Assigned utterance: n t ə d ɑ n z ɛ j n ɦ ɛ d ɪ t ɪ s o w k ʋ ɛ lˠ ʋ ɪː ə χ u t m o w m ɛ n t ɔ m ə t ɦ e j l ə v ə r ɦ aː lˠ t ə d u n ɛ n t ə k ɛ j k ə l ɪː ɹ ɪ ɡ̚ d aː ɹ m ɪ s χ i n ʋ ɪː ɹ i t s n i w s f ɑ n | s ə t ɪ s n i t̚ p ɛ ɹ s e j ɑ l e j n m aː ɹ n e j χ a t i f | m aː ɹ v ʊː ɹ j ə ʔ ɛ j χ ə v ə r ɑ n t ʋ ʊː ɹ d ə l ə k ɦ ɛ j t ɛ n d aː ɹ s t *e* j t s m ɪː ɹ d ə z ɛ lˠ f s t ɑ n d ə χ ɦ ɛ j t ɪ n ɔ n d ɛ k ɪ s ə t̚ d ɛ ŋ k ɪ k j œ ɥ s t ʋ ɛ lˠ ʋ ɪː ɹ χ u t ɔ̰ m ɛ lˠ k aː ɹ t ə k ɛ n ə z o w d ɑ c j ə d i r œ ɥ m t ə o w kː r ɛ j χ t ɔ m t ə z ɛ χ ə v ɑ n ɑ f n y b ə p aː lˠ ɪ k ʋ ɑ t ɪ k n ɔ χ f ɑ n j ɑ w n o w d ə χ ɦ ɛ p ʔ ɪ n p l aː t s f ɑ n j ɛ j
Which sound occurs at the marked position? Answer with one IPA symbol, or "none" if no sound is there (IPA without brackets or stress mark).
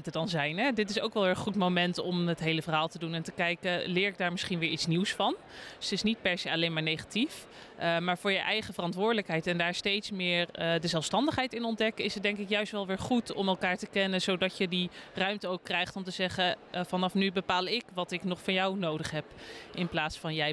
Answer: e